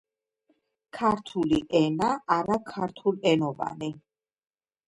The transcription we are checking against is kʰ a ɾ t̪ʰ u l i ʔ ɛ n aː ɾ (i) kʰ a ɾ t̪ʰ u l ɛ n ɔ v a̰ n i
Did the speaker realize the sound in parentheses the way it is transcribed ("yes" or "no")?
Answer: no